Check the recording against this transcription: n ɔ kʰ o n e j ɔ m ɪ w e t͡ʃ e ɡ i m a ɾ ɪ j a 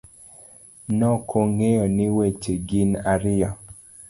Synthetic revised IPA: n ɔ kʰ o ŋ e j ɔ n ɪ w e t͡ʃ e ɡ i n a ɾ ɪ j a